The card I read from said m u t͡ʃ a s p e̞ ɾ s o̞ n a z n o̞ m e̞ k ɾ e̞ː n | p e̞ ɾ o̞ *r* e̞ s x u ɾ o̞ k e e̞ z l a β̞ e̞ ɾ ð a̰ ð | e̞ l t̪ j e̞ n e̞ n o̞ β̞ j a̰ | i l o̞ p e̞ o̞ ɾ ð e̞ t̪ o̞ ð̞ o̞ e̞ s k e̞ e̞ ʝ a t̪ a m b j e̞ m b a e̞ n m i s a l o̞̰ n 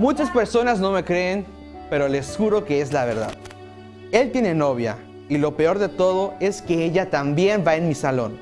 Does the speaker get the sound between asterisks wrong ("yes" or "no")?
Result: yes